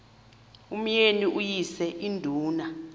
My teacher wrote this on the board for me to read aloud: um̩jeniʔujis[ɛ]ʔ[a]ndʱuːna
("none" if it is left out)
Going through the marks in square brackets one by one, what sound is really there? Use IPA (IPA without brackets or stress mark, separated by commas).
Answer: ɛ, i